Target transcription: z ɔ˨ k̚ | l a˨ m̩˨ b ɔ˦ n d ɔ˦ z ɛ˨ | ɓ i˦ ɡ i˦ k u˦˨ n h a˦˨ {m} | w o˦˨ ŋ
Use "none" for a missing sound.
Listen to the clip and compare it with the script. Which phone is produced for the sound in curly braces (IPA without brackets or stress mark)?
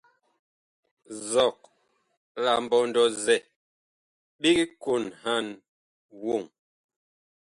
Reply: n